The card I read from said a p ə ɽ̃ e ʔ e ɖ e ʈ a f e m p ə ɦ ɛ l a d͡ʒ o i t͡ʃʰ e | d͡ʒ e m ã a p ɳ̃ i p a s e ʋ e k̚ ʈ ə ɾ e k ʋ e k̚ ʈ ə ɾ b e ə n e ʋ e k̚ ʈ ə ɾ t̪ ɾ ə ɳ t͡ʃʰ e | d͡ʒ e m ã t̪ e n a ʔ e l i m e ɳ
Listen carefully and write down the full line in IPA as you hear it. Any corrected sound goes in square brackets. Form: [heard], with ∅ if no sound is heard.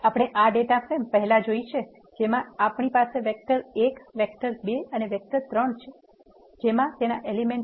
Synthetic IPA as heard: a p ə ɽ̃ e ʔ [a] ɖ e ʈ a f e m p ə ɦ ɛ l a d͡ʒ o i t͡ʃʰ e | d͡ʒ e m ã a p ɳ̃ i p a s e ʋ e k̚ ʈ ə ɾ e k ʋ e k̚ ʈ ə ɾ b e ə n e ʋ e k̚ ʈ ə ɾ t̪ ɾ ə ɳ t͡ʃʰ e | d͡ʒ e m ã t̪ e n a ʔ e l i m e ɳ

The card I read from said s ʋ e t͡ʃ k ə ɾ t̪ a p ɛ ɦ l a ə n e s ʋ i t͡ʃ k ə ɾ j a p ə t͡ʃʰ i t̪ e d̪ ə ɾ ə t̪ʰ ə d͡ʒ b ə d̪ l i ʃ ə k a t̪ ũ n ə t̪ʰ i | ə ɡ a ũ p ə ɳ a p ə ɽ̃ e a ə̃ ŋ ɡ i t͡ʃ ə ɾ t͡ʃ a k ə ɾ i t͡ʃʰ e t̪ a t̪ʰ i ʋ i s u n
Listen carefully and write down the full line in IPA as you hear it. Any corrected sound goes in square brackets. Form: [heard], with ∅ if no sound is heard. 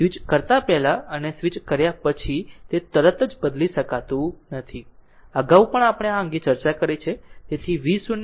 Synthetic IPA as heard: s ʋ [i] t͡ʃ k ə ɾ t̪ a p ɛ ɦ l a ə n e s ʋ i t͡ʃ k ə ɾ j a p ə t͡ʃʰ i t̪ e [t̪] ə ɾ ə [t̪] ə d͡ʒ b ə d̪ l i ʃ ə k a t̪ ũ n ə t̪ʰ i | ə ɡ a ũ p ə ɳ a p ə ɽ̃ e a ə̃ ŋ ɡ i t͡ʃ ə ɾ t͡ʃ a k ə ɾ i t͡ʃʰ e t̪ [e] t̪ʰ i ʋ i s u n

